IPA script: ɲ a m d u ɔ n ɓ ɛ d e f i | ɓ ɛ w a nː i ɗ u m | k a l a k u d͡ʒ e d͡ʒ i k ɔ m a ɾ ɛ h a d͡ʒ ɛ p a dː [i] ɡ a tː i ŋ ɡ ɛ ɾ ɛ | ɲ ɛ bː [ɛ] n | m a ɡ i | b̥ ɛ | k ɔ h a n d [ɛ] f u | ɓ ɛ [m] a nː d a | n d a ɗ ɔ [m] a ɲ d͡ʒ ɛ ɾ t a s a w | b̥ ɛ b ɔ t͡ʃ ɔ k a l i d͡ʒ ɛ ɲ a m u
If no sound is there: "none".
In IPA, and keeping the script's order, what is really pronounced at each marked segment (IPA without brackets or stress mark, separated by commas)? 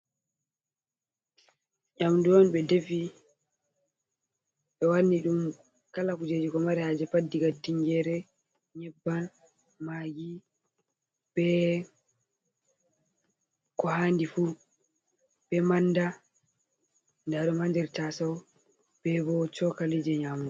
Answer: i, a, i, m, m